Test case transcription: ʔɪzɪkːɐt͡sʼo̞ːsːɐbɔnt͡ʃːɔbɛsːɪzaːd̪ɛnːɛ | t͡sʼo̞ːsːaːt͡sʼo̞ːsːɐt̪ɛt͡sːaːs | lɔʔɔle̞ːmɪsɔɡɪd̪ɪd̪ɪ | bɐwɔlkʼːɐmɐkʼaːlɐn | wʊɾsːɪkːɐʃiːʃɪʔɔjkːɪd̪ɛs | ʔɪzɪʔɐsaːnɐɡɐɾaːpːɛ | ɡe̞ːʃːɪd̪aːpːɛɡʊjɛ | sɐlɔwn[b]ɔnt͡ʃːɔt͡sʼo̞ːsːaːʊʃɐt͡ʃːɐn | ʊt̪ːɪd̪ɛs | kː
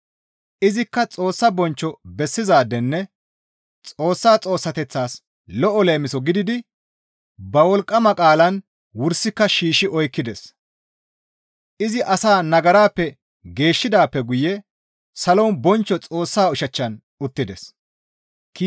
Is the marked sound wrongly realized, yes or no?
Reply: no